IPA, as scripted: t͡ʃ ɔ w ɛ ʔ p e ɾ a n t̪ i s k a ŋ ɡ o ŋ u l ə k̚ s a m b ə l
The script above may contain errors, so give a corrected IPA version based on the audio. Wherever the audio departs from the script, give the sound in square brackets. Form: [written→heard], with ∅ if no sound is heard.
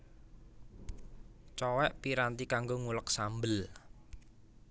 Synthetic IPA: t͡ʃ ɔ w ɛ ʔ p [e→i] ɾ a n t̪ i [s→∅] k a ŋ ɡ o ŋ u l ə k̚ s a m b ə l